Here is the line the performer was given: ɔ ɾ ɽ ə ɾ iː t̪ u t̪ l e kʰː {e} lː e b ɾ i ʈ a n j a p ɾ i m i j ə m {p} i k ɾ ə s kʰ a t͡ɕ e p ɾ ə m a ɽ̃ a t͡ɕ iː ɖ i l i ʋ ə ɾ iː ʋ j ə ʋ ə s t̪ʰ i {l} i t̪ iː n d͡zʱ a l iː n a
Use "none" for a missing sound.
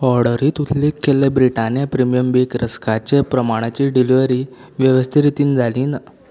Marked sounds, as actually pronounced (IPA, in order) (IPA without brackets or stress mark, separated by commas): e, b, ɾ